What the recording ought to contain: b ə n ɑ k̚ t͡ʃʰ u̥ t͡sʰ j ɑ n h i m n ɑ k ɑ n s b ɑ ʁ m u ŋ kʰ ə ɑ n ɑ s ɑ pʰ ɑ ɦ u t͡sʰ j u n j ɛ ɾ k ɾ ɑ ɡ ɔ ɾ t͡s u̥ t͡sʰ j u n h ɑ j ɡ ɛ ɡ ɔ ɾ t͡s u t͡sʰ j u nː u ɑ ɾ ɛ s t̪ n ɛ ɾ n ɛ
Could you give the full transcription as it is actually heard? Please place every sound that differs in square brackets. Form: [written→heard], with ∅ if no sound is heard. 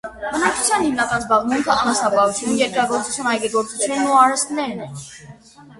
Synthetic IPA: b ə n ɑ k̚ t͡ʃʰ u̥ t͡sʰ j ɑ n h i m n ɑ k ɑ n [s→z] b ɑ ʁ m u ŋ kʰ ə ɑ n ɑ s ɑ [pʰ→p] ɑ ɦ u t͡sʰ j u n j ɛ ɾ k ɾ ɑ ɡ ɔ ɾ t͡s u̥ t͡sʰ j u n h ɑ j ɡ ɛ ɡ ɔ ɾ t͡s u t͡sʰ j u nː u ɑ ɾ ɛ s t̪ n ɛ ɾ n ɛ